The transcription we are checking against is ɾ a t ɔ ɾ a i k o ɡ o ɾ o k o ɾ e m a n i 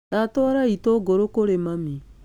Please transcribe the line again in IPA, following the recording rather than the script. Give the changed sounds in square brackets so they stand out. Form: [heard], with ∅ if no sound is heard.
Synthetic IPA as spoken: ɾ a t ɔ ɾ a i [t] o ɡ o ɾ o k o ɾ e m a [m] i

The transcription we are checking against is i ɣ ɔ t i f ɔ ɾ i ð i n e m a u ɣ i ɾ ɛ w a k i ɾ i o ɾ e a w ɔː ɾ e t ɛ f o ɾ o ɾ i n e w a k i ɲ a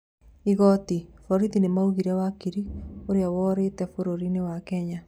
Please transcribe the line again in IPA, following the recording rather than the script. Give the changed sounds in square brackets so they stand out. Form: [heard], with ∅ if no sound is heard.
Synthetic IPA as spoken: i ɣ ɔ t i f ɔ ɾ i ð i n e m a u ɣ i ɾ ɛ w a k i ɾ i o ɾ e a w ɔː ɾ e t ɛ f o ɾ o ɾ i n e w a k [ɛ] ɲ a

